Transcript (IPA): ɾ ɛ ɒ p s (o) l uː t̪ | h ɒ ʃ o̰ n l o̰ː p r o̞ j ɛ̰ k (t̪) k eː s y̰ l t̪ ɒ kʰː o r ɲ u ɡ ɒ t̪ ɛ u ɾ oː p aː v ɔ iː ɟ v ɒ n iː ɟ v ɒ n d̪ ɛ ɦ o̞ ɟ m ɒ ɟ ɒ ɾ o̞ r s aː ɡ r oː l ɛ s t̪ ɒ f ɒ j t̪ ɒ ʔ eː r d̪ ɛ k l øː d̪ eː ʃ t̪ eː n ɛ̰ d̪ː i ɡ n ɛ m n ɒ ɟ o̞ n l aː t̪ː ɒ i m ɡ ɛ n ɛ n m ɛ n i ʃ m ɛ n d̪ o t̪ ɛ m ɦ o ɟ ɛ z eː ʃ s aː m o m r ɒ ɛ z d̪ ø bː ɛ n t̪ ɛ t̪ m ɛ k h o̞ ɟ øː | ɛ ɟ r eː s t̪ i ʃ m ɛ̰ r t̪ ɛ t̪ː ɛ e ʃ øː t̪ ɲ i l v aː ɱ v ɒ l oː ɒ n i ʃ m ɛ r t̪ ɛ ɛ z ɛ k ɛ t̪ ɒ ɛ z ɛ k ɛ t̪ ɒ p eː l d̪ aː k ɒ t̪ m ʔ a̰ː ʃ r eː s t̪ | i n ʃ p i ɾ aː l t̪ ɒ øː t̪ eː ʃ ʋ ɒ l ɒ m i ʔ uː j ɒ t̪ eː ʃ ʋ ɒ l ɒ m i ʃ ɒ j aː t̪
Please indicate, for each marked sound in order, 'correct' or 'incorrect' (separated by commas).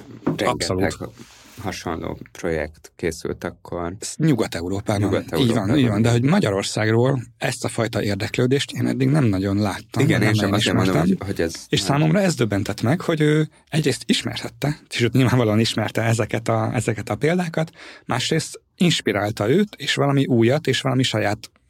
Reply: correct, correct